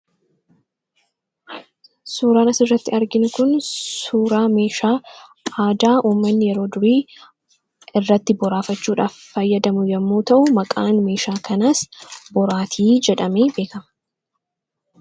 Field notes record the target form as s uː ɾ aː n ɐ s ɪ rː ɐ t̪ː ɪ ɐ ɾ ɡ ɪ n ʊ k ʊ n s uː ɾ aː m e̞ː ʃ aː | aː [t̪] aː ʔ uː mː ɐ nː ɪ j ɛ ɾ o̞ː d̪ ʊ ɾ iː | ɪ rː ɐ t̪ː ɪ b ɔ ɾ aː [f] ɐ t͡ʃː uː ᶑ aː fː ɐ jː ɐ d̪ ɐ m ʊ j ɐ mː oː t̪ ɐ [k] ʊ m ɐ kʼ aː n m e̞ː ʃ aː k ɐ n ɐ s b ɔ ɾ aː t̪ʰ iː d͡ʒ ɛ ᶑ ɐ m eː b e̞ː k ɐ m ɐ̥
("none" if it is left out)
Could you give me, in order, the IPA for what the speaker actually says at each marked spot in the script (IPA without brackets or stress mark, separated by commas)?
d̪, f, ʔ